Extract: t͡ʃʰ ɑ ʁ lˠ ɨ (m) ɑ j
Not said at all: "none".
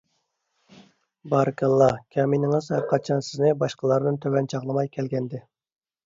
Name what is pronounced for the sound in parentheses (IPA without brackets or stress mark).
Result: m